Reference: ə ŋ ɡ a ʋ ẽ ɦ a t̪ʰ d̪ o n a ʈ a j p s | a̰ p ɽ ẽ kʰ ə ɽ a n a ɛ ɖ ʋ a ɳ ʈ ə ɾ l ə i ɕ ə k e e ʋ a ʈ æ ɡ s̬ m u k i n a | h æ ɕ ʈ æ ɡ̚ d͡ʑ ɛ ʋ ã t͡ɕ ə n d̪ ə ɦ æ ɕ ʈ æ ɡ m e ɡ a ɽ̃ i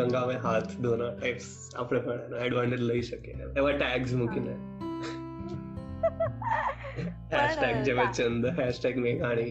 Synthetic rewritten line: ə ŋ ɡ a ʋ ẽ ɦ a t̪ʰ d̪ o n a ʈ a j p s | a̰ p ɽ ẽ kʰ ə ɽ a n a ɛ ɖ ʋ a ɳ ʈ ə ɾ l ə i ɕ ə k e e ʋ a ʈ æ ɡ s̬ m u k i n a | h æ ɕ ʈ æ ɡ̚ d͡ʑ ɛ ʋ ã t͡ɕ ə n d̪ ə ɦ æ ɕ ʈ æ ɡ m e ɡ a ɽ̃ i